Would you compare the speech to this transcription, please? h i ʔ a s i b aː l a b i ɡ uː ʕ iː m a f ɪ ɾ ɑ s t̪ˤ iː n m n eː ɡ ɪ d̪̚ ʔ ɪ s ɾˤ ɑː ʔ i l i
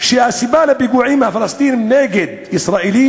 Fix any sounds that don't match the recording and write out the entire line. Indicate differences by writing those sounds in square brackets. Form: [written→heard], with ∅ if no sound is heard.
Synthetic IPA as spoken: [h→ʃ] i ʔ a s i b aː l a b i ɡ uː ʕ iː m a f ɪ [ɾ→l] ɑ s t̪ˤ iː n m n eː ɡ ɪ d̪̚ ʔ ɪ s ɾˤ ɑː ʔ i l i